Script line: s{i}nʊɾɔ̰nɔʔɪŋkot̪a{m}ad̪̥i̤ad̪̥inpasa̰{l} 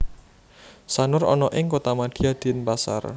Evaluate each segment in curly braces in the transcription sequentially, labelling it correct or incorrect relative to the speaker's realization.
incorrect: a, correct, incorrect: r

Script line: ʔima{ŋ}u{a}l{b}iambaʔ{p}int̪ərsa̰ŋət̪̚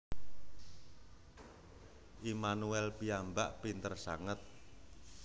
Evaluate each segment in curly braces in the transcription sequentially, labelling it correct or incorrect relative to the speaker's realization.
incorrect: n, incorrect: ɛ, incorrect: p, correct

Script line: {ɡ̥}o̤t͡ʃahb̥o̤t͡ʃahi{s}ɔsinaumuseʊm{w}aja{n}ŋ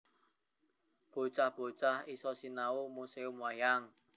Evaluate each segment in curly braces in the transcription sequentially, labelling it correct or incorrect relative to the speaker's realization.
incorrect: b̥, correct, correct, incorrect: none

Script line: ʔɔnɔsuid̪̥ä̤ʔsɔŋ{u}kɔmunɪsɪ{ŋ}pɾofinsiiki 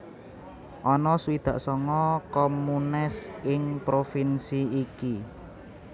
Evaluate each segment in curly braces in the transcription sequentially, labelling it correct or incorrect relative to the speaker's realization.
incorrect: ɔ, correct

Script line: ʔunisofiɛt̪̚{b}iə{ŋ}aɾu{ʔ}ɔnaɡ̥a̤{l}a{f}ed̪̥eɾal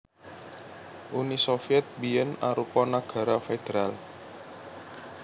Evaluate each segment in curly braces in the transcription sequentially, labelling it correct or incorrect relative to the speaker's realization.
correct, incorrect: n, incorrect: p, incorrect: ɾ, correct

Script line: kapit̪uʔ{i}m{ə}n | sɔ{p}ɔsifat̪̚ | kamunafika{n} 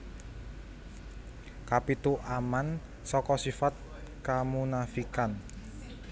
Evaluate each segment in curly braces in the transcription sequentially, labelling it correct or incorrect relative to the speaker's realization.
incorrect: a, incorrect: a, incorrect: k, correct

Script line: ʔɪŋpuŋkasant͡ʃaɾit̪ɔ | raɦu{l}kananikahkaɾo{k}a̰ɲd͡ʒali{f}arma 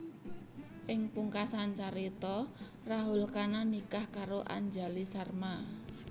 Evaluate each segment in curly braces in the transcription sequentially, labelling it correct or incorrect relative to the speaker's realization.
correct, incorrect: ʔ, incorrect: s

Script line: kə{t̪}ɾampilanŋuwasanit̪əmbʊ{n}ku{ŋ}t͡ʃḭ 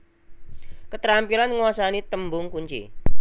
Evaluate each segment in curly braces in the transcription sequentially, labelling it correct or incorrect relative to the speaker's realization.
correct, incorrect: ŋ, incorrect: ɲ

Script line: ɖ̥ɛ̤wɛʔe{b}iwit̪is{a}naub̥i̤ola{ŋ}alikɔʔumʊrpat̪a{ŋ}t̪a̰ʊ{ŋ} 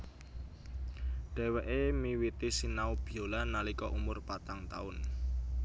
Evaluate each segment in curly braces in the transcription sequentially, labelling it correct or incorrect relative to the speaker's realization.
incorrect: m, incorrect: i, incorrect: n, correct, incorrect: n

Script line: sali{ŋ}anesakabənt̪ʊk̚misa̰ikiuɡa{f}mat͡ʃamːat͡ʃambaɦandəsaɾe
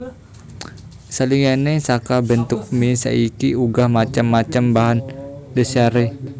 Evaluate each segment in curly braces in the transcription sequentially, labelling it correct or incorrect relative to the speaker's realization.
correct, incorrect: h

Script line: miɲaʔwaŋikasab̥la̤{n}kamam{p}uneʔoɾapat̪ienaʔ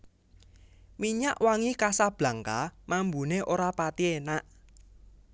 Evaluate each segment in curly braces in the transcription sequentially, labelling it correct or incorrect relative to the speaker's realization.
incorrect: ŋ, incorrect: b

